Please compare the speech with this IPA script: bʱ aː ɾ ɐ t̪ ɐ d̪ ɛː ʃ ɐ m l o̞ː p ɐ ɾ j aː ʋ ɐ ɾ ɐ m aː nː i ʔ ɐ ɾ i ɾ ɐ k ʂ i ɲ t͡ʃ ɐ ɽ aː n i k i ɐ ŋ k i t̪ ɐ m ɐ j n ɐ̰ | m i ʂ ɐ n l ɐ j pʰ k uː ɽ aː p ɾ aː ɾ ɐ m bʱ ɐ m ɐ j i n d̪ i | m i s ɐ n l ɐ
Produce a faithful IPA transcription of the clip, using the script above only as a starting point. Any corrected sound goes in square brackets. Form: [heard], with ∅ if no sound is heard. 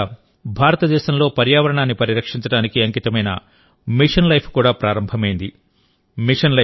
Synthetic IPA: bʱ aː ɾ ɐ t̪ ɐ d̪ ɛː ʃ ɐ m l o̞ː p ɐ ɾ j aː ʋ ɐ ɾ ɐ [ɳ] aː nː i [p] ɐ ɾ i ɾ ɐ k ʂ i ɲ t͡ʃ ɐ ɽ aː n i k i ɐ ŋ k i t̪ ɐ m ɐ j n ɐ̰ | m i ʂ ɐ n l ɐ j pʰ k uː ɽ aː p ɾ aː ɾ ɐ m bʱ ɐ m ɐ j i n d̪ i | m i [ʂ] ɐ n l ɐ

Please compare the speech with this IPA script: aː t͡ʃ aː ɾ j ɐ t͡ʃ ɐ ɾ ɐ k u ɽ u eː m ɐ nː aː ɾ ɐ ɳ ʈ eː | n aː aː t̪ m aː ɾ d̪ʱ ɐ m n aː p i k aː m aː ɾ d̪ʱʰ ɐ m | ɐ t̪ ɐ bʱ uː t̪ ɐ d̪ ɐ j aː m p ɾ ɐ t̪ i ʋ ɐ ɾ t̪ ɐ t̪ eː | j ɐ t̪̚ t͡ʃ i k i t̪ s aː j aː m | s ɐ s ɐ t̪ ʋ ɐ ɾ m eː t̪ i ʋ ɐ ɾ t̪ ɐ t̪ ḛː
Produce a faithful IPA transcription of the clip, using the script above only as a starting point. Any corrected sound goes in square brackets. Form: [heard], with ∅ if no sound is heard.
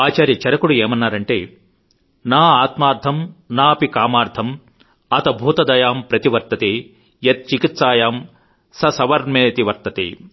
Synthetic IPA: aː t͡ʃ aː ɾ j ɐ t͡ʃ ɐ ɾ ɐ k u ɽ u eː m ɐ nː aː ɾ ɐ ɳ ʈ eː | n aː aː t̪ m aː ɾ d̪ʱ ɐ m n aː p i k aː m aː ɾ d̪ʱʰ ɐ m | ɐ t̪ ɐ bʱ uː t̪ ɐ d̪ ɐ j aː m p ɾ ɐ t̪ i ʋ ɐ ɾ t̪ ɐ t̪ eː | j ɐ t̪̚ t͡ʃ i k i t̪ s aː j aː m | s ɐ s ɐ [∅] ʋ ɐ ɾ m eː t̪ i ʋ ɐ ɾ t̪ ɐ t̪ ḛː

